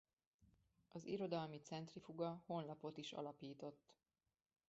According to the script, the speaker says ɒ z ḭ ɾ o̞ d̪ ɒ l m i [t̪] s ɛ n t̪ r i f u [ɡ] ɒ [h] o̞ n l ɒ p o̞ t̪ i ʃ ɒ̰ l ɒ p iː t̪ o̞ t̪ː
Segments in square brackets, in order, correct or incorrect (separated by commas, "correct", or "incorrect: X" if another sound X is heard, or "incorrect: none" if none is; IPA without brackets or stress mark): correct, correct, correct